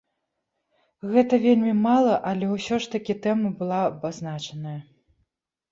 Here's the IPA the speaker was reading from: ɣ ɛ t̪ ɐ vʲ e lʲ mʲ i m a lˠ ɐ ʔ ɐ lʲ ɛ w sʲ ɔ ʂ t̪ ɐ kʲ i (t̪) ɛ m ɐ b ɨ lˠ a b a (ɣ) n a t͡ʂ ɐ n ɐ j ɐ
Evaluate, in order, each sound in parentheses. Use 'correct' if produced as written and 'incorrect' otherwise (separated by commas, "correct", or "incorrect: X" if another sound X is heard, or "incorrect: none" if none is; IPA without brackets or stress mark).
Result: correct, incorrect: z